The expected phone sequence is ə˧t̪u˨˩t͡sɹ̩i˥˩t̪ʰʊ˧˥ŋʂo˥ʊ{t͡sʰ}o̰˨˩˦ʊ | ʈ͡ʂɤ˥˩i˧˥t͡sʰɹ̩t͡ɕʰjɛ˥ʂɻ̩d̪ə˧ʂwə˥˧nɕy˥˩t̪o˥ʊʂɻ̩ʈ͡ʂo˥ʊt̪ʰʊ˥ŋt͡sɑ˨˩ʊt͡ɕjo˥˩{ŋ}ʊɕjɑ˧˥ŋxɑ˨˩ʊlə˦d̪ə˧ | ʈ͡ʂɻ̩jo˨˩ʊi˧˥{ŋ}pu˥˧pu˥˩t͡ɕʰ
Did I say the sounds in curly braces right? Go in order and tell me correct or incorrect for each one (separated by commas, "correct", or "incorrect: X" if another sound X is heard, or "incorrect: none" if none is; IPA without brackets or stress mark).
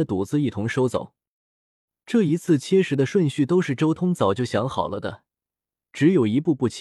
incorrect: t͡s, incorrect: none, incorrect: none